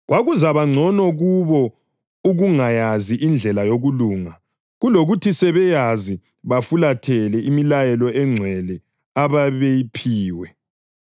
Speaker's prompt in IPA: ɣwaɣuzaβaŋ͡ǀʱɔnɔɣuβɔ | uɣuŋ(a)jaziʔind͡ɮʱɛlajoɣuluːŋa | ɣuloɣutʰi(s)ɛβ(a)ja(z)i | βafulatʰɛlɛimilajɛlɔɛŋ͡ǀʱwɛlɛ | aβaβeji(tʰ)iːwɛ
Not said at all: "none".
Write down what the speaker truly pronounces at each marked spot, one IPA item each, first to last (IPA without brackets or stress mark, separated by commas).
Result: a, s, ɛ, z, pʰ